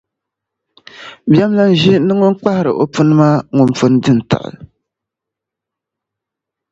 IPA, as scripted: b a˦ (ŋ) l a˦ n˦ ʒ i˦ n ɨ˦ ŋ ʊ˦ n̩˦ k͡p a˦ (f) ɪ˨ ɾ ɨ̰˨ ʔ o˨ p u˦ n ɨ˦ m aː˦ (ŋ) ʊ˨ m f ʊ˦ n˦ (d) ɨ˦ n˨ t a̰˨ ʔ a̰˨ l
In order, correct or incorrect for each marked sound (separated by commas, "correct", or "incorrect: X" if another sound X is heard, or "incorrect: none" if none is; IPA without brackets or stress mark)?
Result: incorrect: m, incorrect: h, correct, correct